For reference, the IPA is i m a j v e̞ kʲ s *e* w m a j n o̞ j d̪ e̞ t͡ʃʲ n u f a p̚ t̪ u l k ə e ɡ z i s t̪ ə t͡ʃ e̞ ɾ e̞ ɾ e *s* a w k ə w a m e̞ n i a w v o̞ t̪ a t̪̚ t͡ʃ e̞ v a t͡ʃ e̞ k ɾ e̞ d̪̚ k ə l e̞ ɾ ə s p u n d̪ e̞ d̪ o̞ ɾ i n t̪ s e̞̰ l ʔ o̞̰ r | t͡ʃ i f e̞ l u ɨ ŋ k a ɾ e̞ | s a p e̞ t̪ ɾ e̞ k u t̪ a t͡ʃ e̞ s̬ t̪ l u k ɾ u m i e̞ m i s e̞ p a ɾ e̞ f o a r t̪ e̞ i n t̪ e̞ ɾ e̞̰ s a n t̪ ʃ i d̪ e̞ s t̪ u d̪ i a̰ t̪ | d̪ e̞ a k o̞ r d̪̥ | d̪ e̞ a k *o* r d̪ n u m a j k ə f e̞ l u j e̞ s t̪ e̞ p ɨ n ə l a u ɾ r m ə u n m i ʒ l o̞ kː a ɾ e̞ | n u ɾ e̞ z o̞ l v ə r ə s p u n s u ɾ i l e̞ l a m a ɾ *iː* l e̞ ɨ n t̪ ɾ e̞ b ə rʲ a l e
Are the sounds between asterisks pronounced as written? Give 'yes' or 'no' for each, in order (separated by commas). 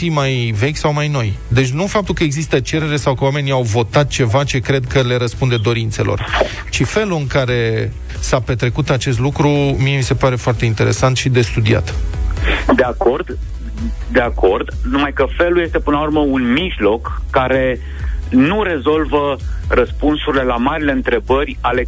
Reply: no, yes, yes, no